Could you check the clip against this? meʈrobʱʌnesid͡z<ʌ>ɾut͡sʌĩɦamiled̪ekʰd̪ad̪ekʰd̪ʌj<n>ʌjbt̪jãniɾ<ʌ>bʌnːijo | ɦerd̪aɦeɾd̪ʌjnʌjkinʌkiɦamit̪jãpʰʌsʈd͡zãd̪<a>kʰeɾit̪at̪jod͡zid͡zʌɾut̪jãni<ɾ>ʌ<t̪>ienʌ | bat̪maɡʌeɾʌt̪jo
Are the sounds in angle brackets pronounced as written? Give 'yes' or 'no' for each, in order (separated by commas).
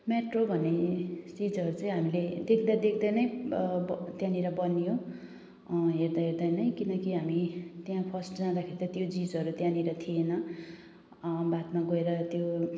yes, yes, yes, yes, yes, no